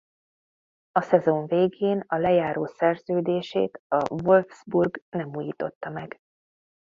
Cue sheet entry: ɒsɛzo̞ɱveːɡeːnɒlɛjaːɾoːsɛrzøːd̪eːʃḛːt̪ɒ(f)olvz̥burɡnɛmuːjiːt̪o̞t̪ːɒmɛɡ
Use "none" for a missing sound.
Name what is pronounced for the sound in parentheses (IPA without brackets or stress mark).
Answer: v